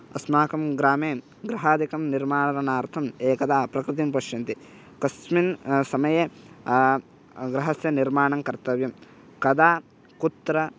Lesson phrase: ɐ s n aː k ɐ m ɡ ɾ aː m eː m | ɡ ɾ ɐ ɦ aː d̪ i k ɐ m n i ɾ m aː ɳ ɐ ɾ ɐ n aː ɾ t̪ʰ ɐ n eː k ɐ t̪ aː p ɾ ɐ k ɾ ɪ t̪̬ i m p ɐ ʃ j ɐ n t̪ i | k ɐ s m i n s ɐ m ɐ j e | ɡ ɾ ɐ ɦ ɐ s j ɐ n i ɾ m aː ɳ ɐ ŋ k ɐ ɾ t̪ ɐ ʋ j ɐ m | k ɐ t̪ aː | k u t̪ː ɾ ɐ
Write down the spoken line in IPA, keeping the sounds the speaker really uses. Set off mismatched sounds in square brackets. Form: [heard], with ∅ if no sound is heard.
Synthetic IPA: ɐ s [m] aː k ɐ m ɡ ɾ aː m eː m | ɡ ɾ ɐ ɦ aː d̪ i k ɐ m n i ɾ m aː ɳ ɐ ɾ ɐ n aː ɾ t̪ʰ ɐ [m] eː k ɐ [d̪] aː p ɾ ɐ k ɾ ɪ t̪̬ i m p ɐ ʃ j ɐ n t̪ i | k ɐ s m i n s ɐ m ɐ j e | ɡ ɾ ɐ ɦ ɐ s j ɐ n i ɾ m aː ɳ ɐ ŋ k ɐ ɾ t̪ ɐ ʋ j ɐ m | k ɐ [d̪] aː | k u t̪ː ɾ ɐ